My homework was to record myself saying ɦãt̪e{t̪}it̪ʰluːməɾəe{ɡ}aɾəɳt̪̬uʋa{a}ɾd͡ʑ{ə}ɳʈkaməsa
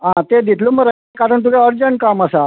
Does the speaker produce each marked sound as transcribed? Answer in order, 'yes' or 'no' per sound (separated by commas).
no, no, no, yes